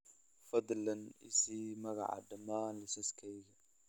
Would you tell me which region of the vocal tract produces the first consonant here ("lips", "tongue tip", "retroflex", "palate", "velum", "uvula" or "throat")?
lips